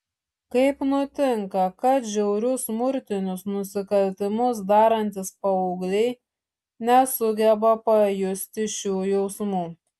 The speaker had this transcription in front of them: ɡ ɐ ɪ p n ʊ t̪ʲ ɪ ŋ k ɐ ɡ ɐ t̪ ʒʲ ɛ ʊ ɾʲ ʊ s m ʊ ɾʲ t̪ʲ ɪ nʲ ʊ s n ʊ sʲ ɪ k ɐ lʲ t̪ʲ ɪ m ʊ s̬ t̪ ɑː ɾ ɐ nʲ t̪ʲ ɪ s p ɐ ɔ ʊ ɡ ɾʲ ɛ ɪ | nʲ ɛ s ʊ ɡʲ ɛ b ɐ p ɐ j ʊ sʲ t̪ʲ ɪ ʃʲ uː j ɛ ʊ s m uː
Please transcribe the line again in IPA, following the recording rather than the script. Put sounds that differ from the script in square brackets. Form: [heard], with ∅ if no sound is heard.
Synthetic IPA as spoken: [k] ɐ ɪ p n ʊ t̪ʲ ɪ ŋ k ɐ [k] ɐ t̪ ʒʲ ɛ ʊ ɾʲ ʊ s m ʊ ɾʲ t̪ʲ ɪ nʲ ʊ s n ʊ sʲ ɪ k ɐ lʲ t̪ʲ ɪ m ʊ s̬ [d̪] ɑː ɾ ɐ nʲ t̪ʲ ɪ s p ɐ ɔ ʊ ɡ [lʲ] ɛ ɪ | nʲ ɛ s ʊ ɡʲ ɛ b ɐ p ɐ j ʊ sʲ t̪ʲ ɪ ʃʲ uː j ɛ ʊ s m uː